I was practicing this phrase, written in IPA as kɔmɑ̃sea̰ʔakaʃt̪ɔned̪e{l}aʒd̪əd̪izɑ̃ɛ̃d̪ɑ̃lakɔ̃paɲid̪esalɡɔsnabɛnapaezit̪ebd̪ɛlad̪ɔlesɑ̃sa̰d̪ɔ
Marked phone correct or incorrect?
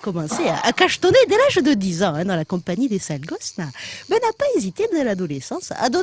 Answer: correct